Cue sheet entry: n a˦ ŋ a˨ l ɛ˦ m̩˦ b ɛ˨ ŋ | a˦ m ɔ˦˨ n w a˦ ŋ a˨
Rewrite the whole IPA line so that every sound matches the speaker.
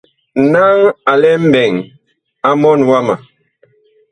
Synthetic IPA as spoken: n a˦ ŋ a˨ l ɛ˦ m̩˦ b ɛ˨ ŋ | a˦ m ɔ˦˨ n w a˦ m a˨